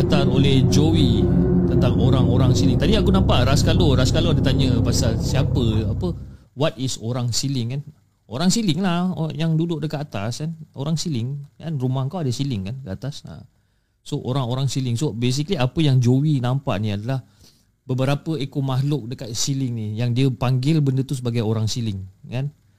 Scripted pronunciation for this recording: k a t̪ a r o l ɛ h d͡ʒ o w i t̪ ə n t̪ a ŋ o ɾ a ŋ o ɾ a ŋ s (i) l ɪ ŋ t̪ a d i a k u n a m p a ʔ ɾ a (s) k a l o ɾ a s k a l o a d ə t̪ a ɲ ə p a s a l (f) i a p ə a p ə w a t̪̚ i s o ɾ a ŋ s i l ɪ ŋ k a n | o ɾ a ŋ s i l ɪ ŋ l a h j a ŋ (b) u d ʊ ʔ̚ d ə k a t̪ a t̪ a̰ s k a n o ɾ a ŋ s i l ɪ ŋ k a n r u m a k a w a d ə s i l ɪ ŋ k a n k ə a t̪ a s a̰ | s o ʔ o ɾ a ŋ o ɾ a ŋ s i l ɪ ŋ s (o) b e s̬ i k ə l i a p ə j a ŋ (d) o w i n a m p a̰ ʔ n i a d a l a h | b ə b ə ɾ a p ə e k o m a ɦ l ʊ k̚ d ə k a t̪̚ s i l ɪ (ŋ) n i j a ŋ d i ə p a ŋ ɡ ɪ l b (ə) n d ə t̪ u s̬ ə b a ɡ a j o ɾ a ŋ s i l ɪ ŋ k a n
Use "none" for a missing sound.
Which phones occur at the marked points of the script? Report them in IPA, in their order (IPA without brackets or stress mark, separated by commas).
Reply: i, s, s, d, o, d͡ʒ, ŋ, ə